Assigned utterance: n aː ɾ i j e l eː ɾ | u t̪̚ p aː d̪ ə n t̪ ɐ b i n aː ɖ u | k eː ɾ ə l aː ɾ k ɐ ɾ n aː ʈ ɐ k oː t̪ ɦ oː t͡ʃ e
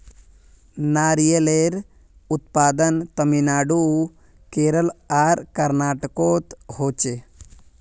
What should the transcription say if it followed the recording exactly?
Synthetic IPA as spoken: n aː ɾ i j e l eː ɾ | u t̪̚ p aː d̪ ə n t̪ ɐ m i n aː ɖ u | k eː ɾ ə l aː ɾ k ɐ ɾ n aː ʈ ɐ k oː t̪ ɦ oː t͡ʃ e